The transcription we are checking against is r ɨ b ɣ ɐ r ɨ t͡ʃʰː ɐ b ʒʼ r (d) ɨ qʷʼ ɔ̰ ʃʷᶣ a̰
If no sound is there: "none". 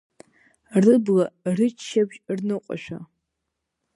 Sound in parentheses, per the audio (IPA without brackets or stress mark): n